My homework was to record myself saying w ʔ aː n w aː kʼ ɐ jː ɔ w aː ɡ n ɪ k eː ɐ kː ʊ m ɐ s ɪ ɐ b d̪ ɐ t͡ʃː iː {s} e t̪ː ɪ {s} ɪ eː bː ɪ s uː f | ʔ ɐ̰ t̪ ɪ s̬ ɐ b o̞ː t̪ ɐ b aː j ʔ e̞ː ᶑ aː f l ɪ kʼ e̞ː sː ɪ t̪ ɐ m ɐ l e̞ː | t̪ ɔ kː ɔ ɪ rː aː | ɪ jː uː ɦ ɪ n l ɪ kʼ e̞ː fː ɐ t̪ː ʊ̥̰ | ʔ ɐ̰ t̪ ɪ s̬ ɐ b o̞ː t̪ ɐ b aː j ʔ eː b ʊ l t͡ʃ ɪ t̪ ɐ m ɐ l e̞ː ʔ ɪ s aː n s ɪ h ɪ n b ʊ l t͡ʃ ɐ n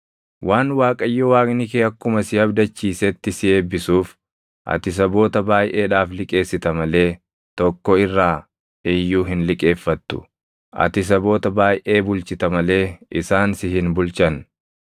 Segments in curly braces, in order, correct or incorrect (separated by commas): correct, correct